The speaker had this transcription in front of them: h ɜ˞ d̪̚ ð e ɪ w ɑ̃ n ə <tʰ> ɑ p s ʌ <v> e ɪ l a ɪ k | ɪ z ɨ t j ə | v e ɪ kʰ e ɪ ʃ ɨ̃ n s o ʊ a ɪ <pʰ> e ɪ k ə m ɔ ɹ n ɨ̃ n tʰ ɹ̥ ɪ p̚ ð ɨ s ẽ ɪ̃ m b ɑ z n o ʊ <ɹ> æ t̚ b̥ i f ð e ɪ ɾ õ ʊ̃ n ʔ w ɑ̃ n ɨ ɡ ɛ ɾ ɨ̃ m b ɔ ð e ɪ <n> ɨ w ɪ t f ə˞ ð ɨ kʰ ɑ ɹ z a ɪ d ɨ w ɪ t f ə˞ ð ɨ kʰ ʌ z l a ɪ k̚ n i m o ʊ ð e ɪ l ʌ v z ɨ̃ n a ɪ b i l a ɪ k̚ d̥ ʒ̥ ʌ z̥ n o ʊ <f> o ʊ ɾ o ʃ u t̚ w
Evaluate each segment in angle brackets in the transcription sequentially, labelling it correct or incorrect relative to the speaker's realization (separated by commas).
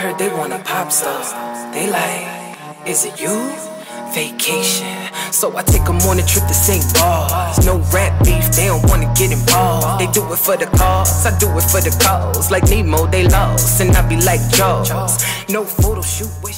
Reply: incorrect, incorrect, incorrect, correct, incorrect, correct